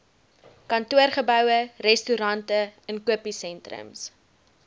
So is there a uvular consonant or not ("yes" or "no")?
yes